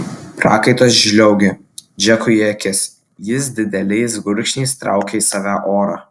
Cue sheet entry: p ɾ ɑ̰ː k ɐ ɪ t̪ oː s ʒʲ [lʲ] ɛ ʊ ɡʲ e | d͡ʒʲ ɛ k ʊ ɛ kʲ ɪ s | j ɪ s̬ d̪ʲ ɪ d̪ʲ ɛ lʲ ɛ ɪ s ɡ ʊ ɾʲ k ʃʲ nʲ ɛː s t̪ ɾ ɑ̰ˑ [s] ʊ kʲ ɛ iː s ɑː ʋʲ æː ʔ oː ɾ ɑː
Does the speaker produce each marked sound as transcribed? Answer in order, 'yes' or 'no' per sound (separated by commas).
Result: yes, no